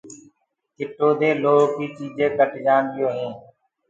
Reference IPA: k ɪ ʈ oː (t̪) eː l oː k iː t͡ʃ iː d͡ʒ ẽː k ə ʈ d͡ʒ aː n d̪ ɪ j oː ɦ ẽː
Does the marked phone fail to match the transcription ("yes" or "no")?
yes